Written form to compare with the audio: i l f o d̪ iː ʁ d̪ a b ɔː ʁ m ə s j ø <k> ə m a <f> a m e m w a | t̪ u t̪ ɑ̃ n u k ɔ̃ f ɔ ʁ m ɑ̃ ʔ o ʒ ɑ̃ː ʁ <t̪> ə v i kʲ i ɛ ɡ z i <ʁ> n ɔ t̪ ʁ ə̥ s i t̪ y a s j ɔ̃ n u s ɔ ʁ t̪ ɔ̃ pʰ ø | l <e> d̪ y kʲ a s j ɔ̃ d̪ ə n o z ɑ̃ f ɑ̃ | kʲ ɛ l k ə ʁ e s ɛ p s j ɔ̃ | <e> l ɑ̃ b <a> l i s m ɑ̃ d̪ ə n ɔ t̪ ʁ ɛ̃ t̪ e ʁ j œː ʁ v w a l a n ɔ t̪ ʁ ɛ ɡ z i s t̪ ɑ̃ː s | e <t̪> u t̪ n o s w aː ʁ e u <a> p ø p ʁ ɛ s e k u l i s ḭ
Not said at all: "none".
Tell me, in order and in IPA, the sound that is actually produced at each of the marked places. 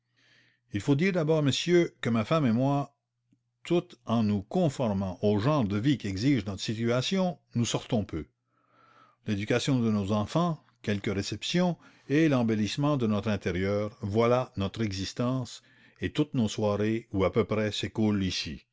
k, f, d̪, ʒ, e, e, e, t̪, a

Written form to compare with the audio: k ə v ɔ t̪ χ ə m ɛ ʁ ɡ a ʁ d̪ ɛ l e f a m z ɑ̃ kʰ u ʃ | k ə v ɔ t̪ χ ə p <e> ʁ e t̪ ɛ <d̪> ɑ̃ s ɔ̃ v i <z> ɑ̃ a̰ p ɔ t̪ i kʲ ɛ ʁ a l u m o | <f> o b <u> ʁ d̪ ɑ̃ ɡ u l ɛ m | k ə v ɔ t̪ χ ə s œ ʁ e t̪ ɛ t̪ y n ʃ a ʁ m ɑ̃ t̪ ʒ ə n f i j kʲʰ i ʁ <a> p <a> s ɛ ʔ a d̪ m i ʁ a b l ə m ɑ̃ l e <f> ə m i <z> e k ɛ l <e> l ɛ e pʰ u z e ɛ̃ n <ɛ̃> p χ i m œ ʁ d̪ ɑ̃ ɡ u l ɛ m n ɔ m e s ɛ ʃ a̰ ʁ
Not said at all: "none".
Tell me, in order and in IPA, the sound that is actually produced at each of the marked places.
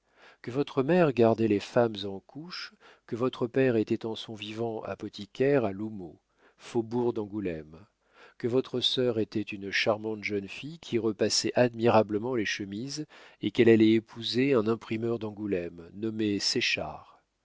ɛ, t̪, v, f, u, ə, a, ʃ, z, a, ɛ̃

